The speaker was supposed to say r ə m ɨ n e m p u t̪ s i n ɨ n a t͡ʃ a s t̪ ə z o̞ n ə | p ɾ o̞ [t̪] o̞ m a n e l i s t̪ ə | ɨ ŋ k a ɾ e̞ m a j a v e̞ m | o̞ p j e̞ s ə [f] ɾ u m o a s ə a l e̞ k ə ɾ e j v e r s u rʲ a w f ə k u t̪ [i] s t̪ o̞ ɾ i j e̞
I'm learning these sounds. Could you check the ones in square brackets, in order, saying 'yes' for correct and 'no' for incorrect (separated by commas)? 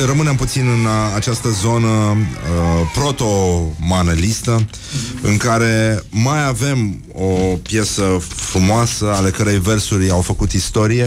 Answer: yes, yes, yes